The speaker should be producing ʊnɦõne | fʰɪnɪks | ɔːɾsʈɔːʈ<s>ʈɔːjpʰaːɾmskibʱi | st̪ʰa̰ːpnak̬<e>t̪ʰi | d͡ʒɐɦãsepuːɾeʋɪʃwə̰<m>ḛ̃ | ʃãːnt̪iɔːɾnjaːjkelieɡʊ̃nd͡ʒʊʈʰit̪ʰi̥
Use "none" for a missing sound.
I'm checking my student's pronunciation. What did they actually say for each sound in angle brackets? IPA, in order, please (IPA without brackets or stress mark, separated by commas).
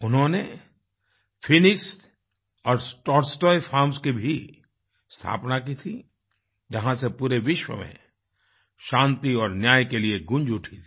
s, i, m